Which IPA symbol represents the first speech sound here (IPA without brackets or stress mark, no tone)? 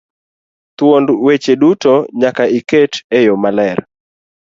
t̪